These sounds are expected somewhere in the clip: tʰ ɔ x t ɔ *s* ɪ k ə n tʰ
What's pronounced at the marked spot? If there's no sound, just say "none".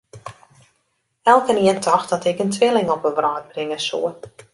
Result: t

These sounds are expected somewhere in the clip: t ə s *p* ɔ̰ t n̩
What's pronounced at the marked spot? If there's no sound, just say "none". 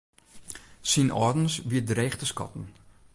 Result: k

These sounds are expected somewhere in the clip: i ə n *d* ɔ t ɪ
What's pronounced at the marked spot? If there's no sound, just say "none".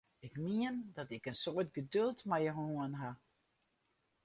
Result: d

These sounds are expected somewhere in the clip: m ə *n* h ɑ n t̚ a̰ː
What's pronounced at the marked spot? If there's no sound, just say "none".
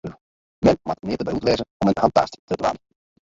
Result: n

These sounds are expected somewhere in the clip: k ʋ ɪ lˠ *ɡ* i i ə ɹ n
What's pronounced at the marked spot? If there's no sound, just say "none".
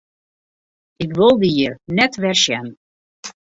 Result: d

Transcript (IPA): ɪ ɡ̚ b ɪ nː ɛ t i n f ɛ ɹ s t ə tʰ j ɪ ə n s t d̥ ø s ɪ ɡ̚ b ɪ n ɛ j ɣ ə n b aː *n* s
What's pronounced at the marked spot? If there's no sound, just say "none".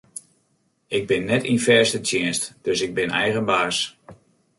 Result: none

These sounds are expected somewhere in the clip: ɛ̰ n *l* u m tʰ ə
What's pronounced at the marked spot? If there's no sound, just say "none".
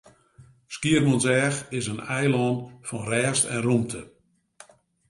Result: r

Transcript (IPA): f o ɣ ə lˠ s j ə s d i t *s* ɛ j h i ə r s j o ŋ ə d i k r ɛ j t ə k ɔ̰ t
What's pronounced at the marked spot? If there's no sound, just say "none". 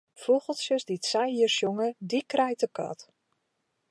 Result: s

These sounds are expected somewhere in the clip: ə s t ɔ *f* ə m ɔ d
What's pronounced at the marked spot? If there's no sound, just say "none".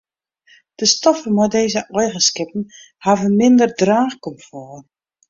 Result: f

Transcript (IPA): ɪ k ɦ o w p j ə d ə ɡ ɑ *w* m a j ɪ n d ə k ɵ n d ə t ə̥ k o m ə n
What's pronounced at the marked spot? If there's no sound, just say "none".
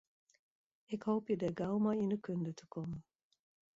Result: w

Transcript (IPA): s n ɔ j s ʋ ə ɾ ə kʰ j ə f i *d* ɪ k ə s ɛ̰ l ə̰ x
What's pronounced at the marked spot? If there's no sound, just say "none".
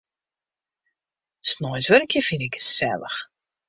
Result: n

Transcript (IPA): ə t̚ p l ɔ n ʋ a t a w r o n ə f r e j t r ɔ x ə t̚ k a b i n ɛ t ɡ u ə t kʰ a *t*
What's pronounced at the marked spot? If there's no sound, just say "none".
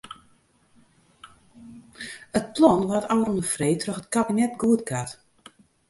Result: t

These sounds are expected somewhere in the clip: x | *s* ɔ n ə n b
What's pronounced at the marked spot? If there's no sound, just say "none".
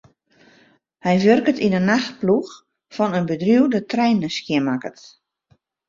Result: f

